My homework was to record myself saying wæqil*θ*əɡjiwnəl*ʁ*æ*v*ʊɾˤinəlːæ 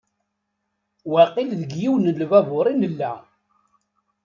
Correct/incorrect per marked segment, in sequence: incorrect, incorrect, correct

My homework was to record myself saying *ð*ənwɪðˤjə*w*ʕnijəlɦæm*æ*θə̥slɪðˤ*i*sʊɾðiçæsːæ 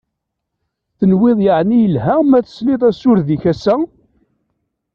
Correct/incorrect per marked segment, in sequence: incorrect, incorrect, correct, incorrect

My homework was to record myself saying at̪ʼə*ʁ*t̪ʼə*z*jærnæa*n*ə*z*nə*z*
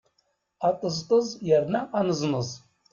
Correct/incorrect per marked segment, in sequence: incorrect, correct, correct, correct, correct

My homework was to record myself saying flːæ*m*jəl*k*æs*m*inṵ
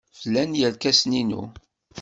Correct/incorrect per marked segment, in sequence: incorrect, correct, incorrect

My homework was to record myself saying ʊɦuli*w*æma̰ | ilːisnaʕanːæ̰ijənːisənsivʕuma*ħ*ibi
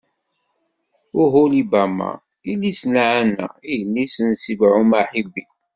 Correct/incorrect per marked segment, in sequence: incorrect, correct

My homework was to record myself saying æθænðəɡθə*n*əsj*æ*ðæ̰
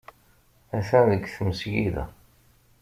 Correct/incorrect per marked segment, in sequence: incorrect, incorrect

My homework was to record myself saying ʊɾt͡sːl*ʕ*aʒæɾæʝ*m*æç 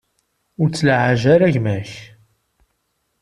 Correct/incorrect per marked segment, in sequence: correct, correct

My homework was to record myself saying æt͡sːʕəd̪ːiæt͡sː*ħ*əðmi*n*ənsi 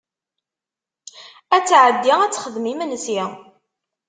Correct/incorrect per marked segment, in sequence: incorrect, incorrect

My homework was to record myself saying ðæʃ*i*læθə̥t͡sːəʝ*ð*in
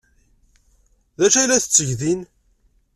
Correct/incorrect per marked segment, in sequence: incorrect, correct

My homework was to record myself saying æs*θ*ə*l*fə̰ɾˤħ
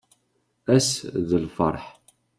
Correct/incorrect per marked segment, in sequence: incorrect, correct

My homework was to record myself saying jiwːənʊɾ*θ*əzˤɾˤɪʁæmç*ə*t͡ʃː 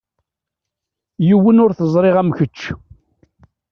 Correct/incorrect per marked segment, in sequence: correct, correct

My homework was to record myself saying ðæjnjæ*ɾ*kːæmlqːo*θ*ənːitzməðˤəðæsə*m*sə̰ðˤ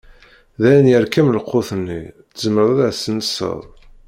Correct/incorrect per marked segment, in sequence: correct, correct, incorrect

